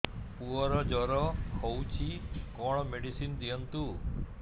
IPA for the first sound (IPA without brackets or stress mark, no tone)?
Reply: p